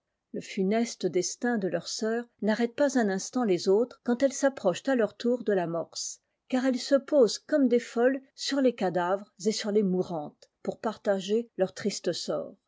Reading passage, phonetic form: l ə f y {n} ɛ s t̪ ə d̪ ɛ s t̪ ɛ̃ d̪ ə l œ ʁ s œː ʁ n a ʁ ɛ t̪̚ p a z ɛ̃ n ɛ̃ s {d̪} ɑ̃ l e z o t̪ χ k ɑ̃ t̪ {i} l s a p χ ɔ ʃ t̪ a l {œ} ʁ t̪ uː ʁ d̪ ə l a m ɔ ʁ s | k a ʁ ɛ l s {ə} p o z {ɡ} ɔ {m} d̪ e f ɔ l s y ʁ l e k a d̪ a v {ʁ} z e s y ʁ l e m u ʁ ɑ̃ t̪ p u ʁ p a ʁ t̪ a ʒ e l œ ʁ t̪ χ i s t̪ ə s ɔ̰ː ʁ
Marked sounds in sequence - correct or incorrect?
correct, incorrect: t̪, incorrect: ɛ, correct, correct, incorrect: k, correct, correct

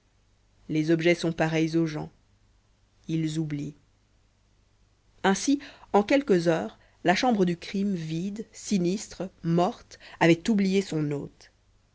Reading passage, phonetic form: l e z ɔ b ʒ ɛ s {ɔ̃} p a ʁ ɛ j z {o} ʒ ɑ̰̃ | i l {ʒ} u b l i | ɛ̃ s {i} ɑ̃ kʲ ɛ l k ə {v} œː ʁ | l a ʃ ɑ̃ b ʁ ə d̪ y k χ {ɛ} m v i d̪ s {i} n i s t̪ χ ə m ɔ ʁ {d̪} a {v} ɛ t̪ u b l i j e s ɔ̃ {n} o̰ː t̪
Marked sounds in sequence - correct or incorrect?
correct, correct, incorrect: z, correct, incorrect: z, incorrect: i, correct, incorrect: t̪, correct, correct

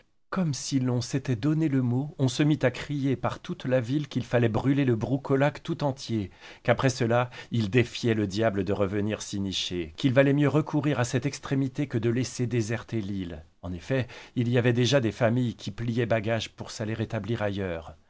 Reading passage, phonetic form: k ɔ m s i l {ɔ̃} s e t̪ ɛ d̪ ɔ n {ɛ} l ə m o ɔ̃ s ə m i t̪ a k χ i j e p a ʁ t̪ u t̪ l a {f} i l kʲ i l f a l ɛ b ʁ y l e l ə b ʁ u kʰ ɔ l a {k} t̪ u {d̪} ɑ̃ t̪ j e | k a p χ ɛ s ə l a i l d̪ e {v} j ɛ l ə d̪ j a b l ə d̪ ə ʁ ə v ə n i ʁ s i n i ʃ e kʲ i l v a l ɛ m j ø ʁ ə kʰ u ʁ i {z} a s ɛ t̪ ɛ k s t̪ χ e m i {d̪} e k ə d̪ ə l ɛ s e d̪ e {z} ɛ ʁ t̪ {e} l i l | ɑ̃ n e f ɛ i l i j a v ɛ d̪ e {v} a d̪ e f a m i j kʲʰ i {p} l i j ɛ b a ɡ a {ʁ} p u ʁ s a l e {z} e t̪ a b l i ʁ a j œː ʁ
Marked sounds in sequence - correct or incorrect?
correct, incorrect: e, incorrect: v, correct, incorrect: t̪, incorrect: f, incorrect: ʁ, incorrect: t̪, correct, correct, incorrect: ʒ, correct, incorrect: ʒ, incorrect: ʁ

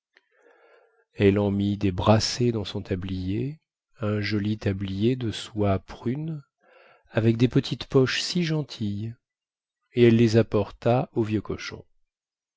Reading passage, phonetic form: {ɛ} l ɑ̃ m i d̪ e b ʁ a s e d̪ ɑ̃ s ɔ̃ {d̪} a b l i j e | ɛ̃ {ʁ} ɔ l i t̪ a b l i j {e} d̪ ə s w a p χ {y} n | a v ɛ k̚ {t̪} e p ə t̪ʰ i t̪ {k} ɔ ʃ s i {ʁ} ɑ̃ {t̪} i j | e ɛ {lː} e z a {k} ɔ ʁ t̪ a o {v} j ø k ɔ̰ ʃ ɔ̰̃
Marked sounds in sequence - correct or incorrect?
correct, incorrect: t̪, incorrect: ʒ, correct, correct, incorrect: d̪, incorrect: p, incorrect: ʒ, incorrect: t̪ʰ, correct, incorrect: p, correct

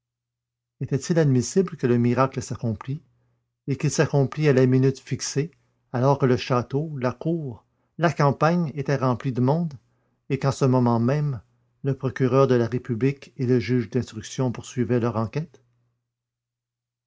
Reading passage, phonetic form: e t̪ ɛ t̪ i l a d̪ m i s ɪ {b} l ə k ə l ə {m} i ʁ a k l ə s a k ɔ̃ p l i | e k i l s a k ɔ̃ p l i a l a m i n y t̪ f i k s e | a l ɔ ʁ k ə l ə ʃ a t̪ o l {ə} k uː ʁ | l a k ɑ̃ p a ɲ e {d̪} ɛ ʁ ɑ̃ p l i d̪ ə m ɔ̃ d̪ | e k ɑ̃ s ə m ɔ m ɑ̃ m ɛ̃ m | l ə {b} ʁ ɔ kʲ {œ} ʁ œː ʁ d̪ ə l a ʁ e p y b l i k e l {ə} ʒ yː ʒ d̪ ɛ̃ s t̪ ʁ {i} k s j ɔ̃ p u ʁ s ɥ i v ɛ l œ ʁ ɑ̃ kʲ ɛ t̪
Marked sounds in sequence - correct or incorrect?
correct, correct, incorrect: a, incorrect: t̪, incorrect: p, incorrect: y, correct, incorrect: y

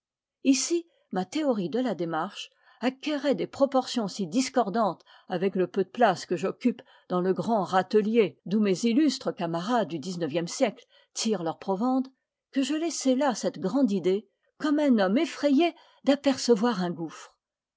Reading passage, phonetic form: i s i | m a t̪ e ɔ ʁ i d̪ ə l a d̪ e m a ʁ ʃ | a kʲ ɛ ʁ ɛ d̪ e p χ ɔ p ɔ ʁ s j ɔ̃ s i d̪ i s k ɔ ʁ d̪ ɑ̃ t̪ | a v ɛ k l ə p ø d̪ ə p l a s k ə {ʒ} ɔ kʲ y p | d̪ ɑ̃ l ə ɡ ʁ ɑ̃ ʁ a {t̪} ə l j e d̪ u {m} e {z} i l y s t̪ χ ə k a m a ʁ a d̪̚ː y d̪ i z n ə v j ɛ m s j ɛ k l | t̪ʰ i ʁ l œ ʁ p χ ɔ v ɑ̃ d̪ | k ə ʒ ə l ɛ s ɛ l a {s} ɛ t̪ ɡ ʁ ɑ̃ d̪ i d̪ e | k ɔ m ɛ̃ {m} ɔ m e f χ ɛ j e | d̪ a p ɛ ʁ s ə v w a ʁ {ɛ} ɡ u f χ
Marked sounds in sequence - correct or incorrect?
correct, correct, correct, correct, correct, incorrect: n, incorrect: ɛ̃

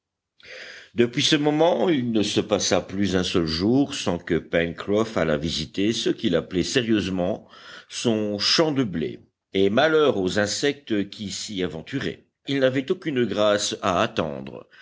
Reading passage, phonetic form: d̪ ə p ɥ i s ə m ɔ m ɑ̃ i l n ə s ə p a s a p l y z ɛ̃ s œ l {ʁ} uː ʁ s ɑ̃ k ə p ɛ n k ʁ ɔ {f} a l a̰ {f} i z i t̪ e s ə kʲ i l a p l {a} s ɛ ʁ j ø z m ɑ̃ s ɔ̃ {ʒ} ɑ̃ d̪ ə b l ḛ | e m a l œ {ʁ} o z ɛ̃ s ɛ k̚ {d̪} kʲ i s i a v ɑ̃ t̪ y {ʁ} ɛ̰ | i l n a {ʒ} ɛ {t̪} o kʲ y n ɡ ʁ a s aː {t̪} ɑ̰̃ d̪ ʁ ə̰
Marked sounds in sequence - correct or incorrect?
incorrect: ʒ, correct, incorrect: v, incorrect: ɛ, incorrect: ʃ, correct, incorrect: t̪, correct, incorrect: v, correct, correct

